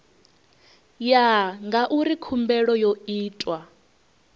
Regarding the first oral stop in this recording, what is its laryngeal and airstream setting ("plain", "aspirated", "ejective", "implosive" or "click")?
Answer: plain